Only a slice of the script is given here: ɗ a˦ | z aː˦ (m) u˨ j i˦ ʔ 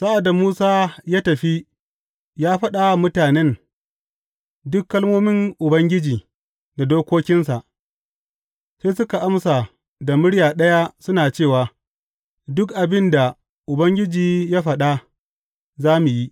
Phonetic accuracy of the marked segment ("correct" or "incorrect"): correct